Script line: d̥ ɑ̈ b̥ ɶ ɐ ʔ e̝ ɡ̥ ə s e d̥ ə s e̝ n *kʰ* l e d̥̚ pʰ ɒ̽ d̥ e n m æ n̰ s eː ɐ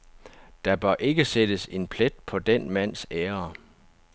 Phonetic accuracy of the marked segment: incorrect: pʰ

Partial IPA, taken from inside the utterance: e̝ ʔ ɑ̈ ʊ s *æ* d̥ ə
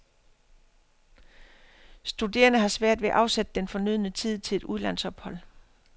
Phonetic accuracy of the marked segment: incorrect: e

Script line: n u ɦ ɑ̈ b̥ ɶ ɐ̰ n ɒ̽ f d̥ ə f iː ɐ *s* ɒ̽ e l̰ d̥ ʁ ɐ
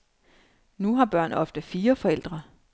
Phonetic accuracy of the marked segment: incorrect: f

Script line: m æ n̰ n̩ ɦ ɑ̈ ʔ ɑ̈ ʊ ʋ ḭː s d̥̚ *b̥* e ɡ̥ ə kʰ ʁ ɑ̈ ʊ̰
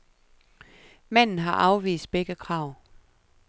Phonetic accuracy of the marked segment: correct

